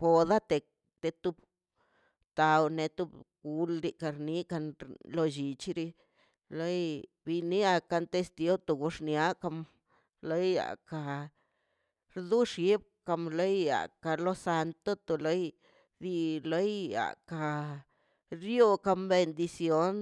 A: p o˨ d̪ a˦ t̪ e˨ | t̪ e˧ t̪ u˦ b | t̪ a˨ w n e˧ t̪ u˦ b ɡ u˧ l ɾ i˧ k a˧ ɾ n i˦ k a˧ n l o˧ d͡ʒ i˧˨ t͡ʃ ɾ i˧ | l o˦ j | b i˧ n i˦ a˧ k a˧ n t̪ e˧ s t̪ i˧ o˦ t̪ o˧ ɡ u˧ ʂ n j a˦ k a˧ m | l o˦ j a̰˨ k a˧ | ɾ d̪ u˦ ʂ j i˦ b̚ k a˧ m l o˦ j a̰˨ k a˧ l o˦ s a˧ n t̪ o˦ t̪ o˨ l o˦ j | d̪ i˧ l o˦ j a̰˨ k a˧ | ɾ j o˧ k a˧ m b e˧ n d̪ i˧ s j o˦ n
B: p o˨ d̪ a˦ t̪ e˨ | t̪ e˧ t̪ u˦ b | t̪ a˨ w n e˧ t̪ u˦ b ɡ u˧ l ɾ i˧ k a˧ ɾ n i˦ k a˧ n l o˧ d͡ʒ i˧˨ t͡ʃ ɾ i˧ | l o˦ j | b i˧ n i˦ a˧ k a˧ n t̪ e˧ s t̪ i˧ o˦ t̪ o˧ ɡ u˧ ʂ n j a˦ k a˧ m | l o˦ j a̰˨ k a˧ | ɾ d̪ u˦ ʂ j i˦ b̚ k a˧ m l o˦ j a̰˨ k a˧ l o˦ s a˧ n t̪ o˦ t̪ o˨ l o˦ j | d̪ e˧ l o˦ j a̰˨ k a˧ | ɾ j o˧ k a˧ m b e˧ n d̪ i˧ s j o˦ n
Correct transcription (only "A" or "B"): A